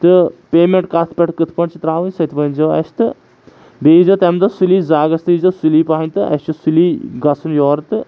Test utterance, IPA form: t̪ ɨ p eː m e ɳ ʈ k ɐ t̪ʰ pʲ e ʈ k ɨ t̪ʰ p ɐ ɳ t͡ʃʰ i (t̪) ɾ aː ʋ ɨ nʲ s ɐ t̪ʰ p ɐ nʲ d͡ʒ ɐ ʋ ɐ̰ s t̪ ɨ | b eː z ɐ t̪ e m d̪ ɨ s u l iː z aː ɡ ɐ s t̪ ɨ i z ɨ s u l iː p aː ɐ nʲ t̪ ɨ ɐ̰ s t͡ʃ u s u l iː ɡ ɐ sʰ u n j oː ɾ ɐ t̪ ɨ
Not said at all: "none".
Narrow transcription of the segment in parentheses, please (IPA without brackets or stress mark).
t̪